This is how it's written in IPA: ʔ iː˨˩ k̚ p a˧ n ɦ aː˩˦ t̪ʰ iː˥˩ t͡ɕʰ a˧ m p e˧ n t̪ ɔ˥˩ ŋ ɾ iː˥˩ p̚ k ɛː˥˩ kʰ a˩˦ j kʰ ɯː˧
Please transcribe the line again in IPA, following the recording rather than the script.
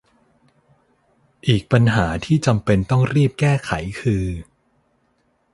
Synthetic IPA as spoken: ʔ iː˨˩ k̚ p a˧ n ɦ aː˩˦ t̪ʰ iː˥˩ t͡ɕ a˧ m p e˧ n t̪ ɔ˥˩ ŋ ɾ iː˥˩ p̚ k ɛː˥˩ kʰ a˩˦ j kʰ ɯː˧